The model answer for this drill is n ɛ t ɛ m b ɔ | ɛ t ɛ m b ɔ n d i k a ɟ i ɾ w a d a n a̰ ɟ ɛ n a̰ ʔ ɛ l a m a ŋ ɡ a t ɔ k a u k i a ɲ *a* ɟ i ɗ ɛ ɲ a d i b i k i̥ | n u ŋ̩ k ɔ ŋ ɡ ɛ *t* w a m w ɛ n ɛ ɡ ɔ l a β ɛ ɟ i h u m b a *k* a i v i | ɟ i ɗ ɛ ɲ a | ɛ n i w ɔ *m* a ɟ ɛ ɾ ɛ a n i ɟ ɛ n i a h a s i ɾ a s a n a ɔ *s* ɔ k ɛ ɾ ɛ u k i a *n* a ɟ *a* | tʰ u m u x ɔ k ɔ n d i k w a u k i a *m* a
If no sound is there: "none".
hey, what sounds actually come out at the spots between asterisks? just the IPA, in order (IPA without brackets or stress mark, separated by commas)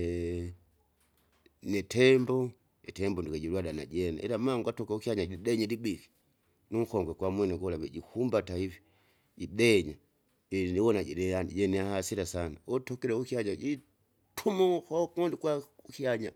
a, k, t, n, t, ɲ, i, ɲ